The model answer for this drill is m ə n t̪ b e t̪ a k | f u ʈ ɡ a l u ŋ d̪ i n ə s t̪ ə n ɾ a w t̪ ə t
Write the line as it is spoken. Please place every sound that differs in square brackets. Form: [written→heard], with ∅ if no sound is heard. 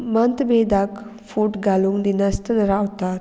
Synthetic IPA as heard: m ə n t̪ b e [t̪→d̪] a k | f u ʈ ɡ a l u ŋ d̪ i n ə s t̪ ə n ɾ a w t̪ [ə→a] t

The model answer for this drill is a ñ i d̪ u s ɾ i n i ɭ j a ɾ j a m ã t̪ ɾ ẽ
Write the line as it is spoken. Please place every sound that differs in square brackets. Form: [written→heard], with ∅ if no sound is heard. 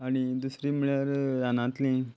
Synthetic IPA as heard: a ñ i d̪ u s ɾ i [n→m] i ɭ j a ɾ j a [m→n] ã t̪ [ɾ→l] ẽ

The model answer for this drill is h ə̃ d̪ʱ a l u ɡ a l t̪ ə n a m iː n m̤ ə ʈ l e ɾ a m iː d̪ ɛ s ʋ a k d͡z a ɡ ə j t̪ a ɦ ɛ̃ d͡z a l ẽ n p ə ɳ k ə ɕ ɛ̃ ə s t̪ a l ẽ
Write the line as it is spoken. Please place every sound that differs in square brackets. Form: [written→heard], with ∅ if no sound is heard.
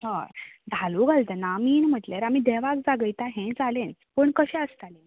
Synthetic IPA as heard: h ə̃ d̪ʱ a l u ɡ a l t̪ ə n a m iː n m̤ ə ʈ l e ɾ a m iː d̪ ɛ [s→∅] ʋ a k d͡z a ɡ ə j t̪ a ɦ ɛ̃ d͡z a l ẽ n p ə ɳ k ə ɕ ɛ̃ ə s t̪ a l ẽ

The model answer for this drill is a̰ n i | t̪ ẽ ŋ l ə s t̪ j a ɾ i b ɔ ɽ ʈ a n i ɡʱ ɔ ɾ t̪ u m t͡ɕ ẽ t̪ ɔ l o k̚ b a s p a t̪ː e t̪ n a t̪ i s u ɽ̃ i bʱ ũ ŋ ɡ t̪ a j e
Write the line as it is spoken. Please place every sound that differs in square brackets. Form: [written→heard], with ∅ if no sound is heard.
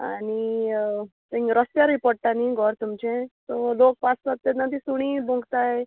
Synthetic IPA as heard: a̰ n i | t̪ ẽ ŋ [l→ɾ] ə s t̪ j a ɾ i [b→p] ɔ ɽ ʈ a n i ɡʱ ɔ ɾ t̪ u m t͡ɕ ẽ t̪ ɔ l o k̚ [b→p] a s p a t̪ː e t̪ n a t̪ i s u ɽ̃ i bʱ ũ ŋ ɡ t̪ a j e

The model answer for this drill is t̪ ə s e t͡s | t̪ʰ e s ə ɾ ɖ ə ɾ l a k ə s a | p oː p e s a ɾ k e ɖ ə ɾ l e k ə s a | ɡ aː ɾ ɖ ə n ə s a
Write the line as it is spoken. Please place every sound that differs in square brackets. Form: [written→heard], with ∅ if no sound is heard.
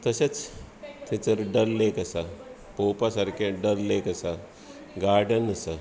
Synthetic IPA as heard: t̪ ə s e t͡s | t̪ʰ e [s→t͡s] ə ɾ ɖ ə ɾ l [a→e] k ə s a | p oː p [e→a] s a ɾ k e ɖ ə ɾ l e k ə s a | ɡ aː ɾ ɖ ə n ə s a

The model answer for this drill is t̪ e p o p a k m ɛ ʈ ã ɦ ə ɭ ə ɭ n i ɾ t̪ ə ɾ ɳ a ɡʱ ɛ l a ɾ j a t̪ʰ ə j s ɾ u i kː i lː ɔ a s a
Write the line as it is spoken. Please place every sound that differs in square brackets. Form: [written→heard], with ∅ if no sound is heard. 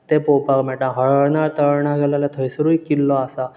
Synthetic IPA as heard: t̪ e p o p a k m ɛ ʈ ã ɦ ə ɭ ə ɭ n [i→a] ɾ t̪ ə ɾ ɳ a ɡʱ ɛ l a [ɾ→l] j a t̪ʰ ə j s ɾ u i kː i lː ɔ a s a

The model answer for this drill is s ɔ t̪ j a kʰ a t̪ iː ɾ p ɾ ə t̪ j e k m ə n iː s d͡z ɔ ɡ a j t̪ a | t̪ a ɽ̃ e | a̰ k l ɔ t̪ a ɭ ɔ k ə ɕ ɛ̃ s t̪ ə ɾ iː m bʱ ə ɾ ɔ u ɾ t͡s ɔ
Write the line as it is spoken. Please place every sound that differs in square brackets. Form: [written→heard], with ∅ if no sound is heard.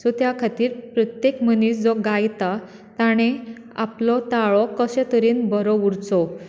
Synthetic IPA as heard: s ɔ t̪ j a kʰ a t̪ iː ɾ p ɾ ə t̪ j e k m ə n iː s d͡z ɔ ɡ a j t̪ a | t̪ a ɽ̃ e | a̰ [k→p] l ɔ t̪ a ɭ ɔ k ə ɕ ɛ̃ [s→∅] t̪ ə ɾ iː [m→n] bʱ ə ɾ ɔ u ɾ t͡s ɔ

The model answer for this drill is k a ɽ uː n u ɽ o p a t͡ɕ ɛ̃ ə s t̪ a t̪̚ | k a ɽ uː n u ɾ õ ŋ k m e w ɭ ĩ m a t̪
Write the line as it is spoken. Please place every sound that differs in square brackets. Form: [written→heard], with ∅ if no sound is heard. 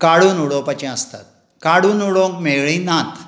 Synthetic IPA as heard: k a ɽ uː n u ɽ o p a t͡ɕ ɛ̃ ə s t̪ a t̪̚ | k a ɽ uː n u [ɾ→ɽ] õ ŋ k m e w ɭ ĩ [m→n] a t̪

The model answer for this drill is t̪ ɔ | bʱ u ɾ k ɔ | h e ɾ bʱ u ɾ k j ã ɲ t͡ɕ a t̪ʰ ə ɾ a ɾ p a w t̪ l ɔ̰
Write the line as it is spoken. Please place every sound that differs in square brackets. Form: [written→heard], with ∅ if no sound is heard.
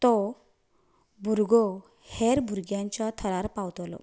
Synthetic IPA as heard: t̪ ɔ | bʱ u ɾ [k→ɡ] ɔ | h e ɾ bʱ u ɾ [k→ɡ] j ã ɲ t͡ɕ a t̪ʰ ə ɾ a ɾ p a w t̪ l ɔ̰

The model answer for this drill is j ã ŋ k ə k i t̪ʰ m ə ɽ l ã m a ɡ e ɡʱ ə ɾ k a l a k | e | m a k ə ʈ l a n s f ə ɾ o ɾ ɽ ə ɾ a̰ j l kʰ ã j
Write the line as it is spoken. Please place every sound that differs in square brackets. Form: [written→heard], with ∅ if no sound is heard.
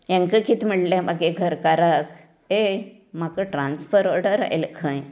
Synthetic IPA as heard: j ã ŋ k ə k i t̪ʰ m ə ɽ l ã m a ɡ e ɡʱ ə ɾ k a [l→ɾ] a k | e | m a k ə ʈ [l→ɾ] a n s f ə ɾ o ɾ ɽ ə ɾ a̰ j l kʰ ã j

